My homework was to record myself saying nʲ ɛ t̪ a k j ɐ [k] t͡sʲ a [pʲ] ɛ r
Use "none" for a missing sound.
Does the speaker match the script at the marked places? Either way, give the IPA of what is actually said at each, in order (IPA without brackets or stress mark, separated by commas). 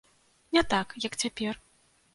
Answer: k, pʲ